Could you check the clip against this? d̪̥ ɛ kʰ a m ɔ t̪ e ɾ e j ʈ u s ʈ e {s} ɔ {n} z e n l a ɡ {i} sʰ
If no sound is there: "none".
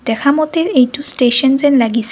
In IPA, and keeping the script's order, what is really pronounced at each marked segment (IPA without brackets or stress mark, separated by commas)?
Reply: ʃ, n, i